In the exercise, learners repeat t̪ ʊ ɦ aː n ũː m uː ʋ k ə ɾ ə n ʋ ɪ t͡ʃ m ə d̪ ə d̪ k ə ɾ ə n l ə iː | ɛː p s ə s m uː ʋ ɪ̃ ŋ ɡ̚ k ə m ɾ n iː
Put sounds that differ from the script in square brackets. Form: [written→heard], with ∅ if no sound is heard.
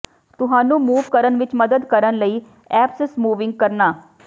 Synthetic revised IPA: t̪ ʊ ɦ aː n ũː m uː ʋ k ə ɾ ə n ʋ ɪ t͡ʃ m ə d̪ ə d̪ k ə ɾ ə n l ə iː | ɛː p s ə s m uː ʋ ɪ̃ ŋ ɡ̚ k ə [m→∅] ɾ n [iː→aː]